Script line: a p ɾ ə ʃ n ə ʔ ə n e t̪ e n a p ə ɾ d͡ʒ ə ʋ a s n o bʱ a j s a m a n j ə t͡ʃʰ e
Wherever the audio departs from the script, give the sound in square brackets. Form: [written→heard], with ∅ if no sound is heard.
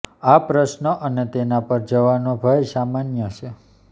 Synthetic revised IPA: a p ɾ ə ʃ n ə ʔ ə n e t̪ e n a p ə ɾ d͡ʒ ə ʋ a [s→∅] n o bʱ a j s a m a n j ə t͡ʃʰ e